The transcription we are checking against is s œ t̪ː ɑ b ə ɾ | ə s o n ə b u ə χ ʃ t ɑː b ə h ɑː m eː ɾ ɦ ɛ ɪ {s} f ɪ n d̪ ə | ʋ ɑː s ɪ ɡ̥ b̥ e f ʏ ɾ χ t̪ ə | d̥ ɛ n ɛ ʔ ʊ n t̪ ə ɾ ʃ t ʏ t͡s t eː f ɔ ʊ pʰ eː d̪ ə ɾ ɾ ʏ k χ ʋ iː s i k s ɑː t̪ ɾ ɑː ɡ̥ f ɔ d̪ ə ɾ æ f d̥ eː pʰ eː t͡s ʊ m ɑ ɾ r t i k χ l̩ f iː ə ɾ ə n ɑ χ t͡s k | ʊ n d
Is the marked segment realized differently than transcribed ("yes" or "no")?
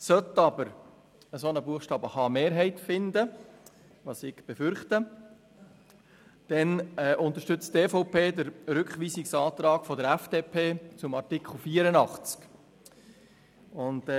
yes